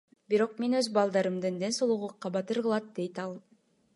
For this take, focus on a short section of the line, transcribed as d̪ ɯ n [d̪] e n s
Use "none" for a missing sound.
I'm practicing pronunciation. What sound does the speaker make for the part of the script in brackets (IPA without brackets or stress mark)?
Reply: d̪